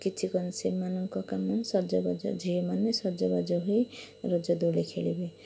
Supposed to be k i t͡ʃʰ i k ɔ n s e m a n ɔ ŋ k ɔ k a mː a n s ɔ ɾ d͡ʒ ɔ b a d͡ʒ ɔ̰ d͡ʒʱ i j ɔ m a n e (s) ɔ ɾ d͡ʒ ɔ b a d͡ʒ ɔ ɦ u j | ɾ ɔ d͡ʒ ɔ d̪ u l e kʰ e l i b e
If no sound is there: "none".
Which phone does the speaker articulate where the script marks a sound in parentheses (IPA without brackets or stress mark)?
s